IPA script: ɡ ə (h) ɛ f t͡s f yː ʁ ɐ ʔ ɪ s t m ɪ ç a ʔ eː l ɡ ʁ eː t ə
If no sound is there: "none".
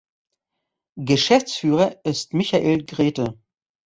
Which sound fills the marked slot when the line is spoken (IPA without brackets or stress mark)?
ʃ